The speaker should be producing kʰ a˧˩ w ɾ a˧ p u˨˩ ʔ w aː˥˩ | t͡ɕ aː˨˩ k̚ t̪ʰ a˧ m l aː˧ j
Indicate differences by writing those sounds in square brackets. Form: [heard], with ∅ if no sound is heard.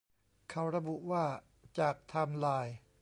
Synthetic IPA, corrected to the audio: kʰ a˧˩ w ɾ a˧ [b] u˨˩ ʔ w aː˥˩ | t͡ɕ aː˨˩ k̚ t̪ʰ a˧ m l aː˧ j